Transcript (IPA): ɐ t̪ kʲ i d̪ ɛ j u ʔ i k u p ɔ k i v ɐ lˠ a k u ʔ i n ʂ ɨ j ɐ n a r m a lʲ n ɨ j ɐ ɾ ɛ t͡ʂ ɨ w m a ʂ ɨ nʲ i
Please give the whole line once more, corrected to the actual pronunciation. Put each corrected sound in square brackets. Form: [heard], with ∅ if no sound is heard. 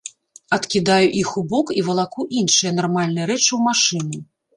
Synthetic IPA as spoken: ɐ t̪ kʲ i d̪ [a] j u ʔ i [x] u [b] ɔ k i v ɐ lˠ a k u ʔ i n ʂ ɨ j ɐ n a r m a lʲ n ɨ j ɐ ɾ ɛ t͡ʂ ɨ w m a ʂ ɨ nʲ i